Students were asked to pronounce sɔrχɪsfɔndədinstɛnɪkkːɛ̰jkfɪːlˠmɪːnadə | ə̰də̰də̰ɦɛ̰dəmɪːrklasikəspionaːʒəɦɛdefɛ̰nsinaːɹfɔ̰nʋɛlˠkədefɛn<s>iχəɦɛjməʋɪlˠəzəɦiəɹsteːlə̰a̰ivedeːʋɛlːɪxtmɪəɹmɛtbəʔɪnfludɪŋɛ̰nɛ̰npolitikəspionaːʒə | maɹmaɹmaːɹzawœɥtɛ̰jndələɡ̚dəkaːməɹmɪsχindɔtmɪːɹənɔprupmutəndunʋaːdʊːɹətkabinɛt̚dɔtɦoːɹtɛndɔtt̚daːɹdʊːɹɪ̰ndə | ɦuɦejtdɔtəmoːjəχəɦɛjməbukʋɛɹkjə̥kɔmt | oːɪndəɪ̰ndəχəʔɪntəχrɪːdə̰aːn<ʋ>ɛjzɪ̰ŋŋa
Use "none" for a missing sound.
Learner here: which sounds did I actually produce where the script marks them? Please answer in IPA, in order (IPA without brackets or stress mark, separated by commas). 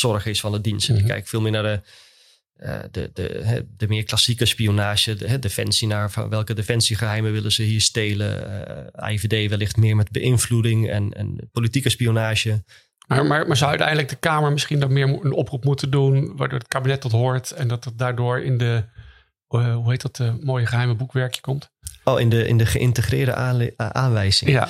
s, ʋ